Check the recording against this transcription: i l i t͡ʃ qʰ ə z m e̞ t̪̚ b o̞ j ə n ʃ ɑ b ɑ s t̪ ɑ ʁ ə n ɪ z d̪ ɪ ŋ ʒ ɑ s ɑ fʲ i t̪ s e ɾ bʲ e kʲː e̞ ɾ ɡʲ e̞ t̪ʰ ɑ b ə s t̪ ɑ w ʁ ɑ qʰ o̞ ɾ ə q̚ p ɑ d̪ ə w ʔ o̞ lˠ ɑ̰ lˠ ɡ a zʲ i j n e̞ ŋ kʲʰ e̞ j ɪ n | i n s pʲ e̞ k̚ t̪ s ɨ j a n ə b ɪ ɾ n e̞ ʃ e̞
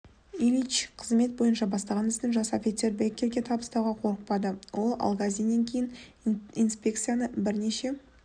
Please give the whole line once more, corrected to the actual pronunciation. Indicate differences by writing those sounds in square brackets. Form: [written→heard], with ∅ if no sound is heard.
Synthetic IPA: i l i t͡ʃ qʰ ə z m e̞ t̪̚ b o̞ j ə n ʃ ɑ b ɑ s t̪ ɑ ʁ [ə→ɑ] n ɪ z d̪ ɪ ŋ ʒ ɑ s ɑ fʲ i t̪ s e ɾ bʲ e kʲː e̞ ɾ ɡʲ e̞ t̪ʰ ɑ b ə s t̪ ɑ w ʁ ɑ qʰ o̞ ɾ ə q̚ p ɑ d̪ ə w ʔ o̞ lˠ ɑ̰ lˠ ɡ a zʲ i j n e̞ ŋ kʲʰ e̞ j ɪ n | i n s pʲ e̞ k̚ t̪ s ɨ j a n ə b ɪ ɾ n e̞ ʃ e̞